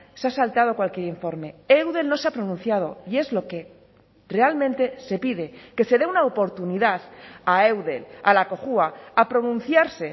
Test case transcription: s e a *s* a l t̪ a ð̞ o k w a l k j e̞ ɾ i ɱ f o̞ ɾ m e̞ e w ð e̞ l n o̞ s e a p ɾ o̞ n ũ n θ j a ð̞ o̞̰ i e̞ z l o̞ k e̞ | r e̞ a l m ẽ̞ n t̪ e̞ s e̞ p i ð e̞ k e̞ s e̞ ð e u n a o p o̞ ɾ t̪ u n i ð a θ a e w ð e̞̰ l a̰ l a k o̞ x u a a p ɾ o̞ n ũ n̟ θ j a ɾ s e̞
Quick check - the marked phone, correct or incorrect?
correct